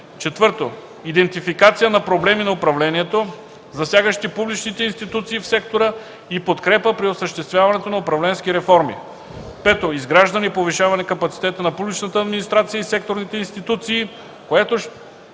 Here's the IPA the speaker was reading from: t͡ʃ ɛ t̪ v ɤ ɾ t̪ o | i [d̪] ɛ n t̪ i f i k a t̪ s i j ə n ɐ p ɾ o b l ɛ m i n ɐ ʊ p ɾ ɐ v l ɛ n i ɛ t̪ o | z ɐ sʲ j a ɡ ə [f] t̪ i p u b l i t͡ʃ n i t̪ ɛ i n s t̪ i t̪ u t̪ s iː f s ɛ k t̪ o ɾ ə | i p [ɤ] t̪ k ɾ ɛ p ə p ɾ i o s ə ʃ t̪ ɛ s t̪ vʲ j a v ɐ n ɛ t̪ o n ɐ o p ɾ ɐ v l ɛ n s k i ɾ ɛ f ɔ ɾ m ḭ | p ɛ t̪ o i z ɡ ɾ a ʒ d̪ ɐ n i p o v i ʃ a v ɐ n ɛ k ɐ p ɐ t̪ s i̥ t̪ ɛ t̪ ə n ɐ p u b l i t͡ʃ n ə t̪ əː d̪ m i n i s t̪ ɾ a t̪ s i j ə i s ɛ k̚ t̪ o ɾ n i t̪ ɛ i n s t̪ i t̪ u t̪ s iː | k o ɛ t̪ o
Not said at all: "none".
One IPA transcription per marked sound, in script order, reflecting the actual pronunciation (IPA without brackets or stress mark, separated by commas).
d̪, ʃ, o